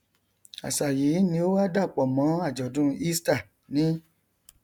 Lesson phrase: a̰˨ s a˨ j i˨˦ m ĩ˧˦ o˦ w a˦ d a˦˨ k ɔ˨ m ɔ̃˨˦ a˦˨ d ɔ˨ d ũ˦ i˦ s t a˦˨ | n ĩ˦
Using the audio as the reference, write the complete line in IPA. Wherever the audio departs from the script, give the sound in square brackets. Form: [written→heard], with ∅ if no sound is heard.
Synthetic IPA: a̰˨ s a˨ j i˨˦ [m→n] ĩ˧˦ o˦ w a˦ d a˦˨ [k→k͡p] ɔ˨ m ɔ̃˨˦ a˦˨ [d→d͡ʒ] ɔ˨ d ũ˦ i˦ s t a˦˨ | n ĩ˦